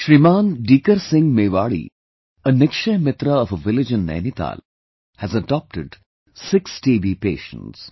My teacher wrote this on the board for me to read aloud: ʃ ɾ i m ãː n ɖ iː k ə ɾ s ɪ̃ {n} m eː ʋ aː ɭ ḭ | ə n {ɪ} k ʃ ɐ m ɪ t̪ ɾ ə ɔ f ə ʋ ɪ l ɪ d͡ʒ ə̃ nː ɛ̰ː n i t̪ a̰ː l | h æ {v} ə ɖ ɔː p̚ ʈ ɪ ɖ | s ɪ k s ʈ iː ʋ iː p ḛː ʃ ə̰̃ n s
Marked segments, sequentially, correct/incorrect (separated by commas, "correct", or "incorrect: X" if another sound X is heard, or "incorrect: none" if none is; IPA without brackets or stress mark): incorrect: ŋ, correct, incorrect: z